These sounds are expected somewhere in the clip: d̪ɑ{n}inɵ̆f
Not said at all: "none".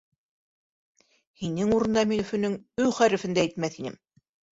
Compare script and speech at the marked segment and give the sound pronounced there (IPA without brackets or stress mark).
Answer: m